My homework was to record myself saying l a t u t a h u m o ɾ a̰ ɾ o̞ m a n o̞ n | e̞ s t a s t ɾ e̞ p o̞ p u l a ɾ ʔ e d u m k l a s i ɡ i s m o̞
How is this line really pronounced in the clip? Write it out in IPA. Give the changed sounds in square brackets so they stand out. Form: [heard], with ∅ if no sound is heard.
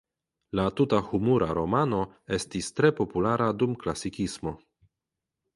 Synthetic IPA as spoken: l a t u t a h u m [u] ɾ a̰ ɾ o̞ m a n o̞ [∅] | e̞ s t [i] s t ɾ e̞ p o̞ p u l a ɾ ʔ [a] d u m k l a s i [k] i s m o̞